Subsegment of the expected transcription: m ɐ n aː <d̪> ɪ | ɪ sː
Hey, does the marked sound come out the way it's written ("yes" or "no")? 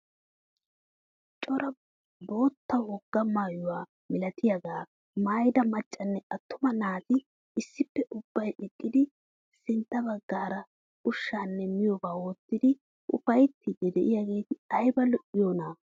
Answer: no